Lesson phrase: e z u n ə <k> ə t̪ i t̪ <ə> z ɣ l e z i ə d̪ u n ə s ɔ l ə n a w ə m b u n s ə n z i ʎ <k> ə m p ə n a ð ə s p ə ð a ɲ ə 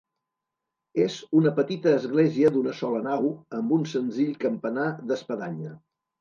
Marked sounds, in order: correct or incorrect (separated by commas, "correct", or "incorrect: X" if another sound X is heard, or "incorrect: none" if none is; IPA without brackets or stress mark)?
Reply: incorrect: p, incorrect: əː, correct